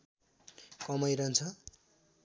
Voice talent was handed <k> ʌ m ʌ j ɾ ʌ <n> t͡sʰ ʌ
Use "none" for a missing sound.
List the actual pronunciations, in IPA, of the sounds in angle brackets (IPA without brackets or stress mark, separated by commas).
k, n